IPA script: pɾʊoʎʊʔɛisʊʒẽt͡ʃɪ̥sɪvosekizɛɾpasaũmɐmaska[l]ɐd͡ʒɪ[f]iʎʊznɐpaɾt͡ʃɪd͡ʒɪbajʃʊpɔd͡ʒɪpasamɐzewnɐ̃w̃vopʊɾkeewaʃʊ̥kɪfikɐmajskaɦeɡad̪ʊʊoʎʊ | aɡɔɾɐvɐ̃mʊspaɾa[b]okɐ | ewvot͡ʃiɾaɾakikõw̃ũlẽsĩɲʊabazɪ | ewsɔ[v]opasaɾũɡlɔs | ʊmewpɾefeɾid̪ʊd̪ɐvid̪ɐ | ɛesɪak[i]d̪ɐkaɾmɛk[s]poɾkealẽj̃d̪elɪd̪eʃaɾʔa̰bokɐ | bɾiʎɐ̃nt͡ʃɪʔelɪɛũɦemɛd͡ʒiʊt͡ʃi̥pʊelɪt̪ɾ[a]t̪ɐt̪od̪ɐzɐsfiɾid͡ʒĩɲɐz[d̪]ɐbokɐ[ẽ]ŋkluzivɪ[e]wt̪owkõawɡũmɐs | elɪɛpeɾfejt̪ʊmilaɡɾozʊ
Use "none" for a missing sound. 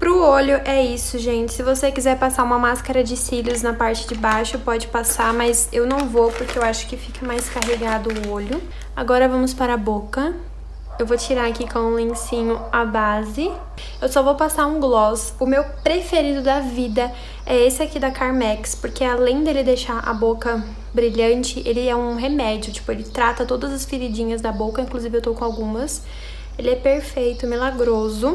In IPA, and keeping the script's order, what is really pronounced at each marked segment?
ɾ, s, b, v, i, s, a, d̪, ĩ, e

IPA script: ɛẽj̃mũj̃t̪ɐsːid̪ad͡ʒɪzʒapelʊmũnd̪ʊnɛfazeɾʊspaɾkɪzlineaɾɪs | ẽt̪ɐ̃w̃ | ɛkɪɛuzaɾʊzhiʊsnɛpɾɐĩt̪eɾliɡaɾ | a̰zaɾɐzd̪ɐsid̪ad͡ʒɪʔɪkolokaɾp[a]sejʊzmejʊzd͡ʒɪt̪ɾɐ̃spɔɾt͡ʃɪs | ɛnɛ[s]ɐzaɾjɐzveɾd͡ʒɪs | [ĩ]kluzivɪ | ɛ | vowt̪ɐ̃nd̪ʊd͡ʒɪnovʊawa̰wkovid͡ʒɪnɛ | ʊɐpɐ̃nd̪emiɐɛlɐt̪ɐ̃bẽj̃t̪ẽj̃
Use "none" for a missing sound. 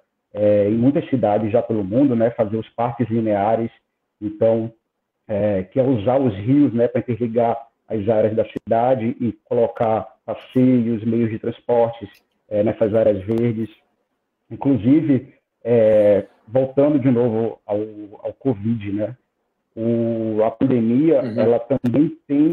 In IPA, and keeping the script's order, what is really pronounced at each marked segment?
a, s, ĩ

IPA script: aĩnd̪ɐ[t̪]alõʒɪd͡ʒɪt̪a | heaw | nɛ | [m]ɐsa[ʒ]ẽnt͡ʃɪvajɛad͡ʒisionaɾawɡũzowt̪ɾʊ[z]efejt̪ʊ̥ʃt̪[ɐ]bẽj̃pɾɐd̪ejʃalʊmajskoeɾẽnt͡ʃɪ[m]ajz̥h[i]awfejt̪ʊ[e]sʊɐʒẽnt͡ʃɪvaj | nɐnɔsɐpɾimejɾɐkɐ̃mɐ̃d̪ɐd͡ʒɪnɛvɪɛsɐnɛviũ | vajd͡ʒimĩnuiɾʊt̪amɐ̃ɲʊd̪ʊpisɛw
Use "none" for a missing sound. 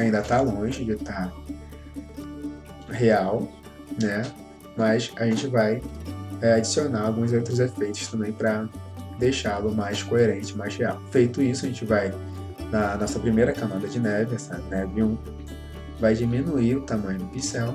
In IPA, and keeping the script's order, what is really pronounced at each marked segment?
t̪, m, ʒ, z, ɐ̃, m, e, i

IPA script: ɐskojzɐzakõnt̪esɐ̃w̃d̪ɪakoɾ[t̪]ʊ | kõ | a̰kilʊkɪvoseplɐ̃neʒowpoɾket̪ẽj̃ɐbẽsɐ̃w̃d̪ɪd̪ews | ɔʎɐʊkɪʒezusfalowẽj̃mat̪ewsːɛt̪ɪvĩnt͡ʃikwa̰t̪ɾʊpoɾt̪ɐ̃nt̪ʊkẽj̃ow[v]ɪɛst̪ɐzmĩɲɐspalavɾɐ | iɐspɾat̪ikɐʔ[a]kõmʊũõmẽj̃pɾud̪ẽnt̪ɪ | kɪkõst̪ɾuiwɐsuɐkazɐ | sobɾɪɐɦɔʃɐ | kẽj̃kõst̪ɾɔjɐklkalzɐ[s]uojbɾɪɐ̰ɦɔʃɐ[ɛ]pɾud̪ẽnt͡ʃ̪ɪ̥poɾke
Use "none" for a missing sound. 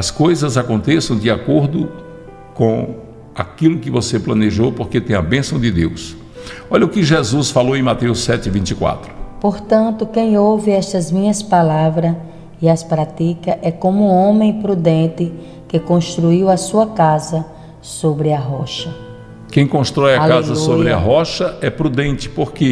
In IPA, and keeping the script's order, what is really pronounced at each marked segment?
d̪, v, ɛ, s, ɛ

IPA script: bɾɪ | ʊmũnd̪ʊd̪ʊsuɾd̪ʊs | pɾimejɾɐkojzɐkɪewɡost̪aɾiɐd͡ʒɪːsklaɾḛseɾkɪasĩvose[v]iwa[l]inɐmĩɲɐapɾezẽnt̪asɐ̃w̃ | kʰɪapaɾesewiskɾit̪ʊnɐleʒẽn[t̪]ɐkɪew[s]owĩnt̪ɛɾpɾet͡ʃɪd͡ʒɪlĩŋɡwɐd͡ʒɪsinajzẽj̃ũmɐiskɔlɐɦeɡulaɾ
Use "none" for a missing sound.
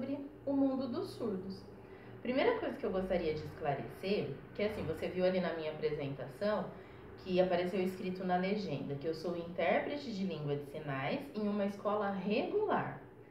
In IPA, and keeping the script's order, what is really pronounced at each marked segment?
v, l, d̪, s

